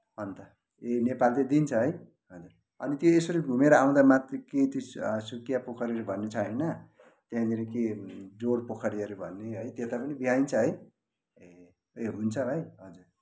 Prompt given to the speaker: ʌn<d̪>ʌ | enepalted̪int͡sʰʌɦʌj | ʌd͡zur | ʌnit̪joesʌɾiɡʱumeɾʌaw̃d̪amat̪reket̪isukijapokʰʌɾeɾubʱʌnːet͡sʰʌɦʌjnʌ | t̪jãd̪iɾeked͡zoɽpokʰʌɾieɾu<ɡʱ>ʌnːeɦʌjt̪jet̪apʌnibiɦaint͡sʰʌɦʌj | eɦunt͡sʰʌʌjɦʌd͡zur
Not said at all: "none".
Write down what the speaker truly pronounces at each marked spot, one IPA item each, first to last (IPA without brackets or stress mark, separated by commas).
t̪, bʱ